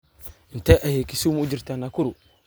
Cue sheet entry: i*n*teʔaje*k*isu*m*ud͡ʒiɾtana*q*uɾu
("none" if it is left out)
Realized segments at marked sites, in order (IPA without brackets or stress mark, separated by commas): n, k, m, k